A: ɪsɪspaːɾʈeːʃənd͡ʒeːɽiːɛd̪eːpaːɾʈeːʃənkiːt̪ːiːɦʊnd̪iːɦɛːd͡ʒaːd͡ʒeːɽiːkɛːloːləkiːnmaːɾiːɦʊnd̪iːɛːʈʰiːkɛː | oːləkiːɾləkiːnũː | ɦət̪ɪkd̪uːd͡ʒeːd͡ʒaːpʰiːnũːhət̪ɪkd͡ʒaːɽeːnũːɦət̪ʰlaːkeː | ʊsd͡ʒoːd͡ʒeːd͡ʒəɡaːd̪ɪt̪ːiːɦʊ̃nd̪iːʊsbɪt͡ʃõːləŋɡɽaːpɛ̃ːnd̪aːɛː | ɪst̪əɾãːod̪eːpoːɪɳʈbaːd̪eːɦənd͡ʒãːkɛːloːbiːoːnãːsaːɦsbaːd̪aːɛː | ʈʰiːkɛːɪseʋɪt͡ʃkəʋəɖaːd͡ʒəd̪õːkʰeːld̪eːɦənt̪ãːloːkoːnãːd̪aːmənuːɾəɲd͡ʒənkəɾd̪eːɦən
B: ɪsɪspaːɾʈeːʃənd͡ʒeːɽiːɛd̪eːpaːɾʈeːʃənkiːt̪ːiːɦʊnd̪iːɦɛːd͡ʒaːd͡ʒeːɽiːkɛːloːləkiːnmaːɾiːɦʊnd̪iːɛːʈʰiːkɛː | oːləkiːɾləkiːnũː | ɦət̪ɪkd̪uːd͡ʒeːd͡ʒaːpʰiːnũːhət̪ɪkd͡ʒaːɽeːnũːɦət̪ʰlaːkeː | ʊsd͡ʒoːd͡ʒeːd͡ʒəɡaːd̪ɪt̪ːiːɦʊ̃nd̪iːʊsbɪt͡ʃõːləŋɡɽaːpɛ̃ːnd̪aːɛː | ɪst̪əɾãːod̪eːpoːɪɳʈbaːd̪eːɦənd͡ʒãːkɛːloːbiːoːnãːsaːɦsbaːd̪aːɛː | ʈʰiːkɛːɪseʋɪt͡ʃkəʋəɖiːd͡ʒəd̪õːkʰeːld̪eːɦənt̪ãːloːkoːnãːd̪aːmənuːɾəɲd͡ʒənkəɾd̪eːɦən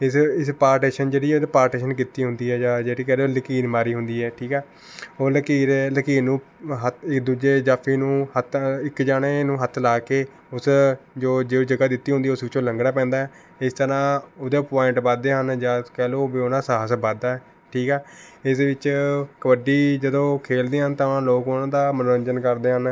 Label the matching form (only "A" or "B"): B